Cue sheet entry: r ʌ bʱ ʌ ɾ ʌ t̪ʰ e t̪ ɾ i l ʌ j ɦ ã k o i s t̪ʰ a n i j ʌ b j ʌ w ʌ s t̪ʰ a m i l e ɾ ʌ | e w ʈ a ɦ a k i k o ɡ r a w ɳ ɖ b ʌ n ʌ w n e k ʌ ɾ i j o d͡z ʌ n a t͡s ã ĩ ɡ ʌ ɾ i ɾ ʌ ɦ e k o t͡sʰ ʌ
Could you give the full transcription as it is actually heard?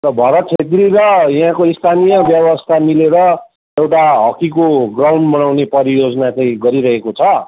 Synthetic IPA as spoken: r ʌ bʱ ʌ ɾ ʌ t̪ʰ e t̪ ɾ i ɾ ʌ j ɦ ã k o i s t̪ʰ a n i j ʌ b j ʌ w ʌ s t̪ʰ a m i l e ɾ ʌ | e w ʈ a ɦ ʌ k i k o ɡ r a w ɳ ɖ b ʌ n a w n e p ʌ ɾ i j o d͡z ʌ n a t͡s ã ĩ ɡ ʌ ɾ i ɾ ʌ ɦ e k o t͡sʰ ʌ